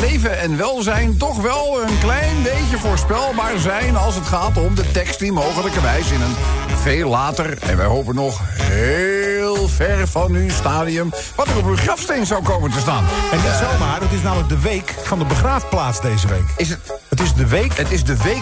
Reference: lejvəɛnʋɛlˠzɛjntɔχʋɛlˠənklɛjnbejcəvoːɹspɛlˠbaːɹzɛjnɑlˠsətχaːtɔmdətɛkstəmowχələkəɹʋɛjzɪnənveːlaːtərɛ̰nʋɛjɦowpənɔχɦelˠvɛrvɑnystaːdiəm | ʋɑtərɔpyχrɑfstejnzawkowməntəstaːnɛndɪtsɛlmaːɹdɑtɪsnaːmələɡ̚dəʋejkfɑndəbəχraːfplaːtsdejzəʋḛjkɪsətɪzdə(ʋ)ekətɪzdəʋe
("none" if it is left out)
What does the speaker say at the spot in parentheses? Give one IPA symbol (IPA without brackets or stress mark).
ʋ